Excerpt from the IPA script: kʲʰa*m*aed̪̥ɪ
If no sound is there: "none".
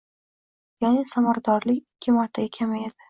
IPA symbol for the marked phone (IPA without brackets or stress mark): m